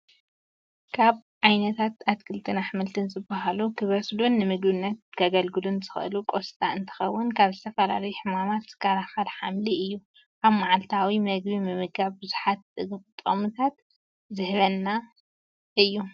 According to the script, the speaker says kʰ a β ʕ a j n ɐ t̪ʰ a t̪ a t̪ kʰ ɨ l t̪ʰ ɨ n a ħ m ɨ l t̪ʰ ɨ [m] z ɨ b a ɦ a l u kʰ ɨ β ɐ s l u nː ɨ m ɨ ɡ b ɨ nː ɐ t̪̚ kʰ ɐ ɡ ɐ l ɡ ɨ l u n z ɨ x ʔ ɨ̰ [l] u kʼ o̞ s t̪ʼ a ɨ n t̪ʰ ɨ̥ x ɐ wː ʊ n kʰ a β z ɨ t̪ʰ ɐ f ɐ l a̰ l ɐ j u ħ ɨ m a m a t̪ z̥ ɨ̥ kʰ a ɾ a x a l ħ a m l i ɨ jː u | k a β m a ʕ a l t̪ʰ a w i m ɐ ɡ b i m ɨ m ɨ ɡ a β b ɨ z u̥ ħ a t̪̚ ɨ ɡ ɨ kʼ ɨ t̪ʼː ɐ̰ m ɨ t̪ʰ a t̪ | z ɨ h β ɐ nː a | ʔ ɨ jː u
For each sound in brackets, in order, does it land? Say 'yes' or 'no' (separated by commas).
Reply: no, yes